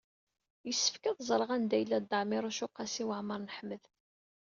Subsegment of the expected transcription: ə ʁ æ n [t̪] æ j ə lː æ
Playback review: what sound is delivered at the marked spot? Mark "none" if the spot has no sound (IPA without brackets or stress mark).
d̪